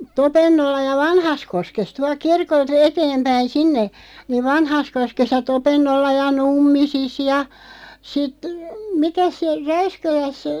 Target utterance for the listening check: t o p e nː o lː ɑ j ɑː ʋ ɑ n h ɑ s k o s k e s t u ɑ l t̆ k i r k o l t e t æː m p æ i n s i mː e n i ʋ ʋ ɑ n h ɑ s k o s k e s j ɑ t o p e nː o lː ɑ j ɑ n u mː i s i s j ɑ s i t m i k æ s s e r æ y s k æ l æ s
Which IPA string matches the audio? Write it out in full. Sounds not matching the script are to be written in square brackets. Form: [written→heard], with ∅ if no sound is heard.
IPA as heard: t o p e nː o lː ɑ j [ɑː→ɑ] ʋ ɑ n h ɑ s k o s k e s t u ɑ l [t̆→k̆] k i r k o l t e t [æː→eː] m p æ i n s i [mː→nː] e n i ʋ ʋ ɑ n h ɑ s k o s k e s j ɑ t o p e nː o lː ɑ j ɑ n u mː i s i s j ɑ s i t m i k æ s s e r æ y s k æ l æ s